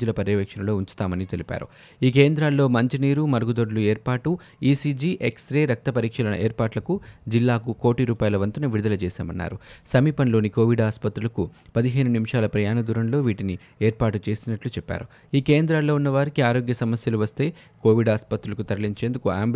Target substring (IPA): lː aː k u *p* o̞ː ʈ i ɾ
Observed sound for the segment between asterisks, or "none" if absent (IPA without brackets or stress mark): k